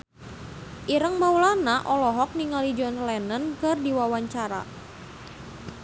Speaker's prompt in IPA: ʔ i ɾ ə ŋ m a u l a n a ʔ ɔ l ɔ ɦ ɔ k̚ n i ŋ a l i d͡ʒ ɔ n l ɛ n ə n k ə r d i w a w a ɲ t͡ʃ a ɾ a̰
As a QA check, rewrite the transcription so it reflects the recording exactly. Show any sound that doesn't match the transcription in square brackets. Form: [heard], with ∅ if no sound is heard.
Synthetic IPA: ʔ i ɾ ə ŋ m a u l a n a ʔ ɔ l ɔ ɦ ɔ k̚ n i ŋ a l i d͡ʒ ɔ n l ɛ n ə n k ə r d i w a w a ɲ t͡ʃ a ɾ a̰

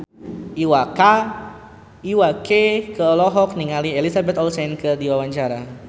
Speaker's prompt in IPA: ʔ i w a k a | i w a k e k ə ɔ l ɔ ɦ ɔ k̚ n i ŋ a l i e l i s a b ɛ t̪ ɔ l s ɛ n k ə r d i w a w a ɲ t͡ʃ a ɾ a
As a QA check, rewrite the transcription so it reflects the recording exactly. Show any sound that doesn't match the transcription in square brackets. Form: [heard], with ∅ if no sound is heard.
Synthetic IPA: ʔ i w a k a | i w a k e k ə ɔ l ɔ ɦ ɔ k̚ n i ŋ a l i e l i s a b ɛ t̪ ɔ l s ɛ n k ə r d i w a w a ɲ t͡ʃ a ɾ a

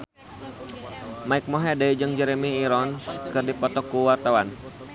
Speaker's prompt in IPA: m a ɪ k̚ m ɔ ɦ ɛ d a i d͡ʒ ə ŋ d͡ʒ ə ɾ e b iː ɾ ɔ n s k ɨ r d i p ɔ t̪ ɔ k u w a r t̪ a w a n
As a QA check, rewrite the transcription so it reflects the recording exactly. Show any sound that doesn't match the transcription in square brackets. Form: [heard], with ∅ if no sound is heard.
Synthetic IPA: m a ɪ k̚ m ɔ ɦ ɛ d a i d͡ʒ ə ŋ d͡ʒ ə ɾ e [m] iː ɾ ɔ n s k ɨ r d i p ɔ t̪ ɔ k u w a r t̪ a w a n

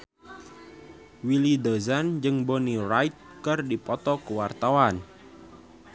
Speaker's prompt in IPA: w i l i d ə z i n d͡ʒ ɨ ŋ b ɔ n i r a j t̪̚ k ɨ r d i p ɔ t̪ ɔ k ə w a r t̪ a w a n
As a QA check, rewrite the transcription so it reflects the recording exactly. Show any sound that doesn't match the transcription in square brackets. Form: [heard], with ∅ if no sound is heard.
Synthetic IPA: w i l i d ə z [a] n d͡ʒ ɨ ŋ b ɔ n i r a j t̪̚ k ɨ r d i p ɔ t̪ ɔ k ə w a r t̪ a w a n

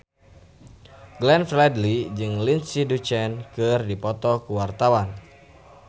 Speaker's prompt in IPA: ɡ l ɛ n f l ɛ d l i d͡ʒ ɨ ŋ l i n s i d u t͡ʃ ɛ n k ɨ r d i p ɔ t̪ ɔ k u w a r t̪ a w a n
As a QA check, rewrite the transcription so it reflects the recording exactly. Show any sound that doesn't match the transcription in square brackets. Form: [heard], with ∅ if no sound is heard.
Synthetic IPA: ɡ l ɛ n f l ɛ d l i d͡ʒ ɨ ŋ l i n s i d u t͡ʃ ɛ n k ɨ r d i p ɔ t̪ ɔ k u w a r t̪ a w a n

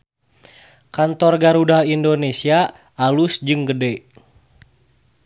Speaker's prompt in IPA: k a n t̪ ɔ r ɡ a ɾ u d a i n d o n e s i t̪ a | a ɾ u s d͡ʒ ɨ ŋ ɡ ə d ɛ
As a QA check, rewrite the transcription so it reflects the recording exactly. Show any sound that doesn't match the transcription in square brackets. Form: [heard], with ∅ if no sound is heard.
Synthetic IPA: k a n t̪ ɔ r ɡ a ɾ u d a i n d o n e s i [∅] a | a [l] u s d͡ʒ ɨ ŋ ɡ ə d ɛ

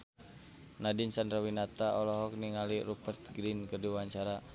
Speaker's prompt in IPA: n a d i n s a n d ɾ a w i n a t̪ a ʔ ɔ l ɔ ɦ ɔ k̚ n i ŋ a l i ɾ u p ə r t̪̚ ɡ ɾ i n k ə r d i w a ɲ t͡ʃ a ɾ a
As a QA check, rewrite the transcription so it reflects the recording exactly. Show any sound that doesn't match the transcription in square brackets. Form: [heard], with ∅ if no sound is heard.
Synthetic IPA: n a d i n s a n d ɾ a w i n a t̪ a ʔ ɔ l ɔ ɦ ɔ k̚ n i ŋ a l i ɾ u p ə r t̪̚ ɡ ɾ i n k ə r d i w a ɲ t͡ʃ a ɾ a

